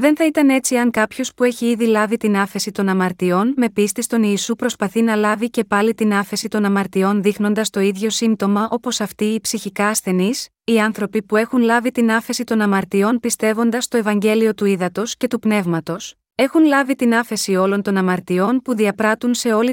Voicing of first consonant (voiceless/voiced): voiced